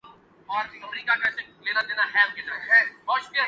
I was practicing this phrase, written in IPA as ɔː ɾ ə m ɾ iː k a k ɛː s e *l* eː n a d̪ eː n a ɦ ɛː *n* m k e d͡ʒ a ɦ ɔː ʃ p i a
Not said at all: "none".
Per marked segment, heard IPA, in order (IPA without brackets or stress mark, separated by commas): l, none